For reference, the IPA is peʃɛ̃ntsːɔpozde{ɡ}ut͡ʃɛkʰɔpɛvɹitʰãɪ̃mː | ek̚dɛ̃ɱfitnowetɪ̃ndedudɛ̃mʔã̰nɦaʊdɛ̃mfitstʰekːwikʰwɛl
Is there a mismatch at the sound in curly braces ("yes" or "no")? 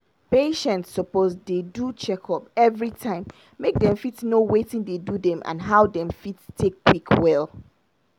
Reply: yes